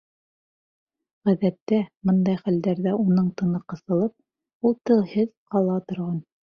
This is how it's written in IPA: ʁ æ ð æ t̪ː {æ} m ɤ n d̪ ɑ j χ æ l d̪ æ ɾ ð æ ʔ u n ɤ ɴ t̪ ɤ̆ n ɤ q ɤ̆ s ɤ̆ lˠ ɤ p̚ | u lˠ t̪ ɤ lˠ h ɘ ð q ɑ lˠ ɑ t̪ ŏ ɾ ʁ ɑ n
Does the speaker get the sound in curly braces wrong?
no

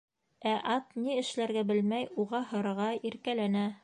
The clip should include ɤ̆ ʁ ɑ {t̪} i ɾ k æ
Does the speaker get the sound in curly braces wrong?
yes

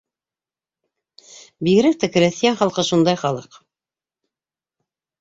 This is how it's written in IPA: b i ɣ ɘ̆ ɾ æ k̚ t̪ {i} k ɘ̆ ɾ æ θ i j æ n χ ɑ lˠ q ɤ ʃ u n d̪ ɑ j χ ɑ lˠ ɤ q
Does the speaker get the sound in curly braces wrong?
yes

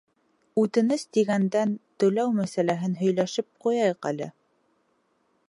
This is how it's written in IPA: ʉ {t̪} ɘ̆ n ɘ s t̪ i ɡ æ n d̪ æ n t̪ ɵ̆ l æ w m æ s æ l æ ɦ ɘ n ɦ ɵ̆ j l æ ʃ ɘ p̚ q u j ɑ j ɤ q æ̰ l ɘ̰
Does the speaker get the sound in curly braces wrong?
no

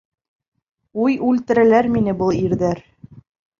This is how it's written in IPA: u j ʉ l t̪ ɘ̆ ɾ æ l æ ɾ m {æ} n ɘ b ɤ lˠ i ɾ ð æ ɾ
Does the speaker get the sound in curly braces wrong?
yes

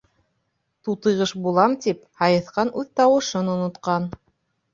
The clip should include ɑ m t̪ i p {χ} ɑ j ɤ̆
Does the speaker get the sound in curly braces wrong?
yes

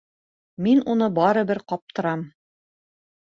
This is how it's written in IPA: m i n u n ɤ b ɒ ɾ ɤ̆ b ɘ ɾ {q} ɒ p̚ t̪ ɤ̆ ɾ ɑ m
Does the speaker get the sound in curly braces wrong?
no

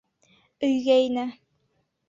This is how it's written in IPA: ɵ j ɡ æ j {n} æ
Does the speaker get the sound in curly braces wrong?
no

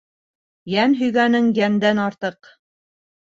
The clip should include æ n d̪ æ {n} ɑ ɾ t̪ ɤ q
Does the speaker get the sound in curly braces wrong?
no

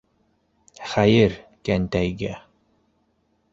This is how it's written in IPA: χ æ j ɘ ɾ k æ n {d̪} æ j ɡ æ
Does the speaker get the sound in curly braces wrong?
yes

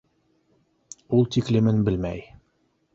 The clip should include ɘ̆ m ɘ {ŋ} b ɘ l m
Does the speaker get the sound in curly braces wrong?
yes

